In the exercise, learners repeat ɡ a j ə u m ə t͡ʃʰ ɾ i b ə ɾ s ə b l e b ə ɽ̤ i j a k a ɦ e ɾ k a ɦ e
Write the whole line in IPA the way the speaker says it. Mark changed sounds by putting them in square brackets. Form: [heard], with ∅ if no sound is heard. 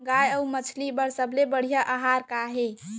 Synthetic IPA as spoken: ɡ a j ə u m ə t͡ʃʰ [l] i b ə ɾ s ə b l e b ə ɽ̤ i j a [ʔ] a ɦ [a] ɾ k a ɦ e